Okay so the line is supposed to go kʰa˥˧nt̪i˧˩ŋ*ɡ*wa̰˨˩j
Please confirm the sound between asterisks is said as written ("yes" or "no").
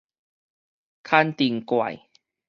no